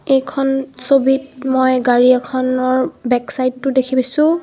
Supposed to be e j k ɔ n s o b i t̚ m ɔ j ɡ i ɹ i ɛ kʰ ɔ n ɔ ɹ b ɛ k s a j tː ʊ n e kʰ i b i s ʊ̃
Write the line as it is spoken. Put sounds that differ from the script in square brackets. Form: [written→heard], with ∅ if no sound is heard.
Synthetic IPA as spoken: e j [k→kʰ] ɔ n s o b i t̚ m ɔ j ɡ [i→a] ɹ i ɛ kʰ ɔ n ɔ ɹ b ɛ k s a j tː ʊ [n→d] e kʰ i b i s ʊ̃